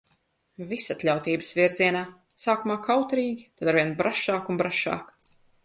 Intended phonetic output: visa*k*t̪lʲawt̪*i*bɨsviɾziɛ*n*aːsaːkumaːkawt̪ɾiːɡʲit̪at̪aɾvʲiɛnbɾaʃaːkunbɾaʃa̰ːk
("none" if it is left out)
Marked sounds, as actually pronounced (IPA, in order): none, iː, n

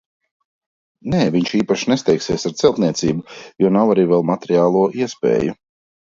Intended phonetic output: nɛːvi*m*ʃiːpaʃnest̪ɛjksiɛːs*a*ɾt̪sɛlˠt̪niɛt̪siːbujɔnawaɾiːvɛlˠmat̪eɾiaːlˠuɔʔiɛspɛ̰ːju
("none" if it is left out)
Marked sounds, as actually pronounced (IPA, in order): ɲ, a

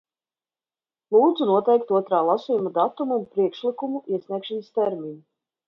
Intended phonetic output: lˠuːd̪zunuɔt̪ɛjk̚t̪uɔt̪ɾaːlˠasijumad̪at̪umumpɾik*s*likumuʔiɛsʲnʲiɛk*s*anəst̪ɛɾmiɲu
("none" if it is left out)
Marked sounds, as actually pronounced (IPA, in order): ʃ, ʃ

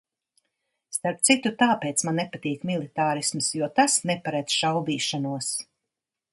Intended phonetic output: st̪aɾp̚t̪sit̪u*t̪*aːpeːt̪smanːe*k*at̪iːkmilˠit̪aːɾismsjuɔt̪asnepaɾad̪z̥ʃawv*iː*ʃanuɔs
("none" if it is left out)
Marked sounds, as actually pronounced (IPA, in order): t̪, p, iː

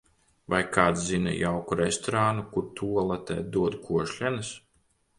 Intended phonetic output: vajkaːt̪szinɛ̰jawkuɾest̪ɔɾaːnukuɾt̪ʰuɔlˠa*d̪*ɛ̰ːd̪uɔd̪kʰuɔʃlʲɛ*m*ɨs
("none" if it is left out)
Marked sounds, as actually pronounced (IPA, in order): t̪, n

